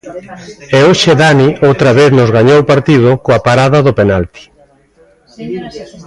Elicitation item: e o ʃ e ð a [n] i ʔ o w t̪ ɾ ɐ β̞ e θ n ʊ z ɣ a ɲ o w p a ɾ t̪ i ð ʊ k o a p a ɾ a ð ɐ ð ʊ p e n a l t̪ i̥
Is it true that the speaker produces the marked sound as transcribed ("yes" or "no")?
yes